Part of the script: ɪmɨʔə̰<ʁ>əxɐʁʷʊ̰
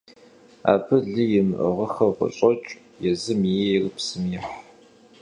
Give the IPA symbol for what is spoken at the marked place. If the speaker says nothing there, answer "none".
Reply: ʁ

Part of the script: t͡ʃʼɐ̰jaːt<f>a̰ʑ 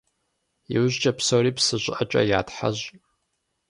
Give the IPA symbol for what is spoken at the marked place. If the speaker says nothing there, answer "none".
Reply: ħ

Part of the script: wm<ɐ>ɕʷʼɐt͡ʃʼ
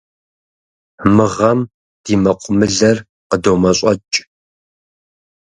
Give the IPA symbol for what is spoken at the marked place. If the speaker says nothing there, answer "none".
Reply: ɐ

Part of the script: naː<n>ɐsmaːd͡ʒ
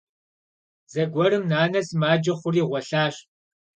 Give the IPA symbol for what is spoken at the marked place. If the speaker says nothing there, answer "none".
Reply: n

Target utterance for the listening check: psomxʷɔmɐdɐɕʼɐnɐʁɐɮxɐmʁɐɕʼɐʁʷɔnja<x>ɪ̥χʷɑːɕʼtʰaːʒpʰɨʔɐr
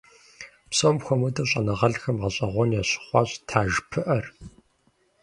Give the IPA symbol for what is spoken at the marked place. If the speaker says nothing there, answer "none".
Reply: ɕ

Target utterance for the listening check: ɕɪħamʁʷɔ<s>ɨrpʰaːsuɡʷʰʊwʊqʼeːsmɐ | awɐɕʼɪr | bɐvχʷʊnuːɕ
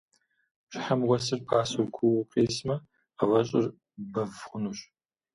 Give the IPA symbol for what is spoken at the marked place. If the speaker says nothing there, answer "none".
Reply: s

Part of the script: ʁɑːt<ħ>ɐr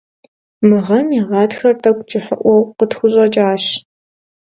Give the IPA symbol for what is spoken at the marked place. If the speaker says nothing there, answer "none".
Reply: x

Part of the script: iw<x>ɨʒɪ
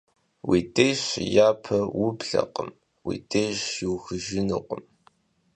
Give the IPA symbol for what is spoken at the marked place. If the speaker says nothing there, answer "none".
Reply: x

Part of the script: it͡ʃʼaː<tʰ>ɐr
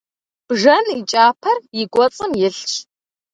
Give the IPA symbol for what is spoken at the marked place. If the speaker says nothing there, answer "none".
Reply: pʰ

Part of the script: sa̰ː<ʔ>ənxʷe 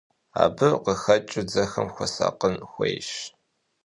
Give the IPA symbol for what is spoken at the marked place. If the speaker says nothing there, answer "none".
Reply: q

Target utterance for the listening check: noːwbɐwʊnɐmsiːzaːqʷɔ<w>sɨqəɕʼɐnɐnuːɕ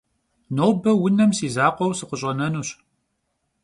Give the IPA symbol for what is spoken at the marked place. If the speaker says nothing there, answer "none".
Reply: w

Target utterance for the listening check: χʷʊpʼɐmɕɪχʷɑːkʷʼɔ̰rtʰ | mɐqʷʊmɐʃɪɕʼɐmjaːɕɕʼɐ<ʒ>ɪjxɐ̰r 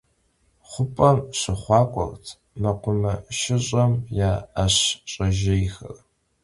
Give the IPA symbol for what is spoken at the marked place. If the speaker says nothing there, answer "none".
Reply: ʒ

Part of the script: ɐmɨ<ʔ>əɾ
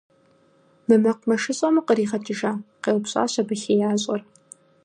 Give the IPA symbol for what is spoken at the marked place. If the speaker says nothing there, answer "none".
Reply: q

